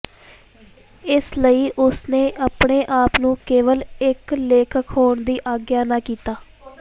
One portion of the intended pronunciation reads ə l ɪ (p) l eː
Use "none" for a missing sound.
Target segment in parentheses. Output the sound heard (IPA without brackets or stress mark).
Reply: k